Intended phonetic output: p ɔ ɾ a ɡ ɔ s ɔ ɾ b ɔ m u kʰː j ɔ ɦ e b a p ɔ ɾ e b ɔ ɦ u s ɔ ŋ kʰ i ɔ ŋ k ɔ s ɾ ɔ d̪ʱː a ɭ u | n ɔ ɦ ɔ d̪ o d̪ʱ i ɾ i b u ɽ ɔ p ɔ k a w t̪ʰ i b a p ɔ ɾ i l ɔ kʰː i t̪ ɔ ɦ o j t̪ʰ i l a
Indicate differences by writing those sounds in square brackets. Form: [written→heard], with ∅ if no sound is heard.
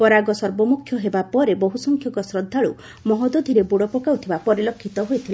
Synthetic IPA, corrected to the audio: p ɔ ɾ a ɡ ɔ s ɔ ɾ b ɔ m u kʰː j ɔ ɦ e b a p ɔ ɾ e b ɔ ɦ u s ɔ ŋ kʰ [i→j] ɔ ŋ k ɔ s ɾ ɔ d̪ʱː a ɭ u | [n→m] ɔ ɦ ɔ d̪ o d̪ʱ i ɾ [i→e] b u ɽ ɔ p ɔ k a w t̪ʰ i b a p ɔ ɾ i l ɔ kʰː i t̪ ɔ ɦ o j t̪ʰ i l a